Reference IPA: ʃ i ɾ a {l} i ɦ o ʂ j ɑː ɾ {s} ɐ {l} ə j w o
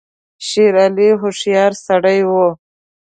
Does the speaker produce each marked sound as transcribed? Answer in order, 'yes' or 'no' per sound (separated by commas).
yes, yes, no